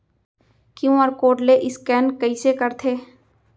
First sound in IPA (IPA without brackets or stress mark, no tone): k